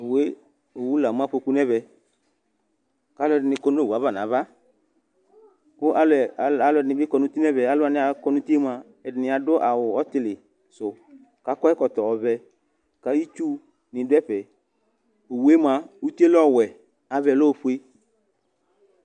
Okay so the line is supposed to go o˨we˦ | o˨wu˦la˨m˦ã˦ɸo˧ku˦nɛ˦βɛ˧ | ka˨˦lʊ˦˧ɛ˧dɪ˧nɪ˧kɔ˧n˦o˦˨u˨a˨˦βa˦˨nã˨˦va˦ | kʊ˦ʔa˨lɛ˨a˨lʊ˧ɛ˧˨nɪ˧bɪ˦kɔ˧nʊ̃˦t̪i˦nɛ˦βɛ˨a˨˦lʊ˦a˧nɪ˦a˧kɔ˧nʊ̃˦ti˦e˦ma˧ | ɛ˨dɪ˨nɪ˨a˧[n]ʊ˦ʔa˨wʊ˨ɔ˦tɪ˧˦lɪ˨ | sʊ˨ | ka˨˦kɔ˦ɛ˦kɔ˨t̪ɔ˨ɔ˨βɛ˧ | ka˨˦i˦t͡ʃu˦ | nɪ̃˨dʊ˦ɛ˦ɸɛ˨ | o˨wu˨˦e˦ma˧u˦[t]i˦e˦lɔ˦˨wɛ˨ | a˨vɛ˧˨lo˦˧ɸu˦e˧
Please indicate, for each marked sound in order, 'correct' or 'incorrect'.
incorrect, correct

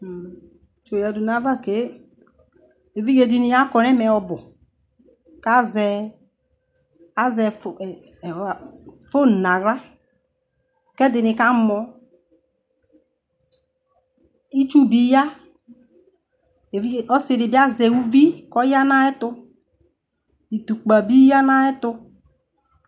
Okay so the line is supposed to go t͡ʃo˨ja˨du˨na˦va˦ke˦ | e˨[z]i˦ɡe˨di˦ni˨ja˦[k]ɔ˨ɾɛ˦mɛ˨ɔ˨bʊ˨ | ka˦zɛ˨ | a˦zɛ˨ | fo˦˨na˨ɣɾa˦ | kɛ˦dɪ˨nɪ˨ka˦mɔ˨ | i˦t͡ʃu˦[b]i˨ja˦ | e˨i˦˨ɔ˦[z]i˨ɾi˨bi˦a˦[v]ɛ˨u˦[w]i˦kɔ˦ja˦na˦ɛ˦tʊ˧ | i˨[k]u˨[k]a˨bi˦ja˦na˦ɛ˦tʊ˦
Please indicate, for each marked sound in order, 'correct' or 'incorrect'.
incorrect, correct, correct, incorrect, incorrect, incorrect, incorrect, incorrect

